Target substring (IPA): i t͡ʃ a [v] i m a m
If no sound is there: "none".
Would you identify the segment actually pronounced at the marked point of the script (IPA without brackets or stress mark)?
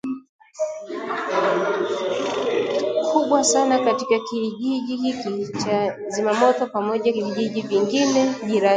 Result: z